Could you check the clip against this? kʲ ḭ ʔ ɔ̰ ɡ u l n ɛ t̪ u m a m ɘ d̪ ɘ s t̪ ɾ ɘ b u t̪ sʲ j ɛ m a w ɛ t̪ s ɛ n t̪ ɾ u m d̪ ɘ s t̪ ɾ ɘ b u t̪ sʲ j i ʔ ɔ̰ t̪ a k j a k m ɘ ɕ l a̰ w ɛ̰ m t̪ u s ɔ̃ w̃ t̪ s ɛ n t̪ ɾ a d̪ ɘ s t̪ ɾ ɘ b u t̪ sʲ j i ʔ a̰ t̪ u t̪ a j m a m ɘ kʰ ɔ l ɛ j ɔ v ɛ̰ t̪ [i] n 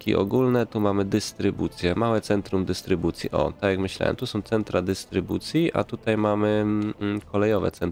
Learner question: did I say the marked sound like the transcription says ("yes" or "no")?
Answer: no